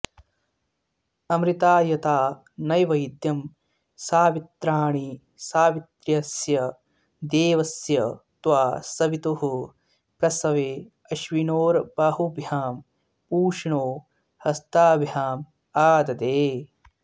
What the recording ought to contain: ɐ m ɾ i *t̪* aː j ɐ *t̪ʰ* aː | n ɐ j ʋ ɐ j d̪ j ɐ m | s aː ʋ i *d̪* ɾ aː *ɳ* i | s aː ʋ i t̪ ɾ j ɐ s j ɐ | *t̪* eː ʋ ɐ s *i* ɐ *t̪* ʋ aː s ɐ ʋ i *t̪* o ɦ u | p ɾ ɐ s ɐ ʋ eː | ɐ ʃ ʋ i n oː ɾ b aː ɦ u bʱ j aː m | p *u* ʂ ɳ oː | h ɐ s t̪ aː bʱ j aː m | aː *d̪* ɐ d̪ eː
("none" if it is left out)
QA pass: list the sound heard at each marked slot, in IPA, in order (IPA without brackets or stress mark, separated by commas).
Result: t̪, t̪, t̪, ɳ, d̪, j, t̪, t̪, uː, d̪